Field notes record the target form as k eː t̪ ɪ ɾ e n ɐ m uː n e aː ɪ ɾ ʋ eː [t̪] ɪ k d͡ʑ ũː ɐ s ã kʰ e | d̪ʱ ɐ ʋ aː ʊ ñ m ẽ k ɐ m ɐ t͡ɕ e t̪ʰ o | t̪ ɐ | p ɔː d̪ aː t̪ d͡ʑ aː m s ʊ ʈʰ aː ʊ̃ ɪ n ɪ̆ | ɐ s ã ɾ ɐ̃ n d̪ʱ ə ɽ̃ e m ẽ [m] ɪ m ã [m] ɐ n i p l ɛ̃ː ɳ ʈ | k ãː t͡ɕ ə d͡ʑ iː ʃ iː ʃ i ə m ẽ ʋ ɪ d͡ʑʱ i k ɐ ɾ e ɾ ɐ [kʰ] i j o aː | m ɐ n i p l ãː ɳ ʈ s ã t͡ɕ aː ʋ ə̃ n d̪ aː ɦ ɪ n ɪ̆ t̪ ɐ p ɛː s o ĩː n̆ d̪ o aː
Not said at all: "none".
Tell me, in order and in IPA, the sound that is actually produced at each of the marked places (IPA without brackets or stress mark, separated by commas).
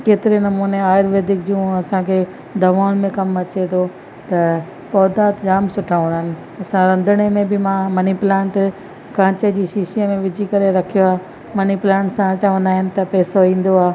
d̪, b, m, kʰ